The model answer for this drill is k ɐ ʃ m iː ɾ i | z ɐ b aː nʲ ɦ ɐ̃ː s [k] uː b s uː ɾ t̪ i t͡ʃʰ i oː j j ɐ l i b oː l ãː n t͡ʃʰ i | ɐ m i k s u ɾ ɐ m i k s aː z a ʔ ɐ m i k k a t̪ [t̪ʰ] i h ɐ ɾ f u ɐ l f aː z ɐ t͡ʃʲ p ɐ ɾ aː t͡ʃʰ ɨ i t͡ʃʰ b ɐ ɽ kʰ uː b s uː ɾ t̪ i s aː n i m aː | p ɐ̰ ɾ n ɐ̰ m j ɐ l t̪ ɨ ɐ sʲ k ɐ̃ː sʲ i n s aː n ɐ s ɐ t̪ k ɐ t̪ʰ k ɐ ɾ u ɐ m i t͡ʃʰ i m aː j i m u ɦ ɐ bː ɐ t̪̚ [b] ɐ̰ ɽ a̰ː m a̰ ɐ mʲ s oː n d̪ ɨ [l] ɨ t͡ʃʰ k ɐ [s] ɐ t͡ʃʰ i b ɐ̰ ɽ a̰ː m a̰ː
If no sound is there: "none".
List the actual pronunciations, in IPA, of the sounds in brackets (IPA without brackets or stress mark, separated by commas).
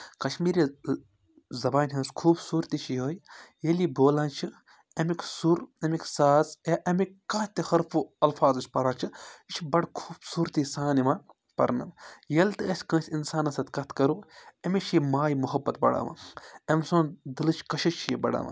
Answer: kʰ, t̪, b, l, ʃ